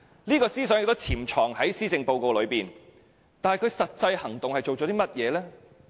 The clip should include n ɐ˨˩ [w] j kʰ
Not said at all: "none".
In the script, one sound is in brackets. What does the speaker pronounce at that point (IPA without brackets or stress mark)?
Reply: none